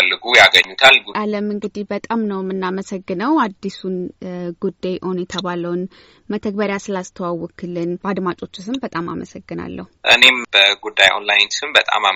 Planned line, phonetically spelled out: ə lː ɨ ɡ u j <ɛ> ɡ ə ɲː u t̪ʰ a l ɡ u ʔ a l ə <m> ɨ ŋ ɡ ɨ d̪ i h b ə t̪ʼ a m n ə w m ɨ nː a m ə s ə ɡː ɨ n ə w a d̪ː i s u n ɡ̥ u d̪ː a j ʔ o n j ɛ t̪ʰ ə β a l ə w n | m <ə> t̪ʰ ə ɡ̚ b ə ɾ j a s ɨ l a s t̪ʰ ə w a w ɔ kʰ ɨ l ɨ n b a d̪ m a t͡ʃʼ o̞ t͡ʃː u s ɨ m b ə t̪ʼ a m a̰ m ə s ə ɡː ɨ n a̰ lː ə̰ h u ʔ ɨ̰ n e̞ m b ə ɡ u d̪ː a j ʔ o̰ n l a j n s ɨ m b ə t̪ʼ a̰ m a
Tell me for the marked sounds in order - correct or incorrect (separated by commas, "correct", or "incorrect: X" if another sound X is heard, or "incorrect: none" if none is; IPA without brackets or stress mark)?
incorrect: a, correct, correct